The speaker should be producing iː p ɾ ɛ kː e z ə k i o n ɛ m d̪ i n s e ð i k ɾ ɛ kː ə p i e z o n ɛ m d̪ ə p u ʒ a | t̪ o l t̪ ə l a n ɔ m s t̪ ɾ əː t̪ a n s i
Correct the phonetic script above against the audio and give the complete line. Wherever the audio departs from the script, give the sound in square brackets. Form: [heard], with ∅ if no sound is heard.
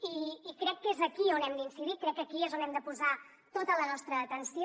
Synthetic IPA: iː [k] ɾ ɛ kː e z ə k i o n ɛ m d̪ i n s [i] ð i k ɾ ɛ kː ə [k] i e z o n ɛ m d̪ ə p u [z] a | t̪ o [∅] t̪ ə l [ə] n ɔ [∅] s t̪ ɾ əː t̪ [ə] n s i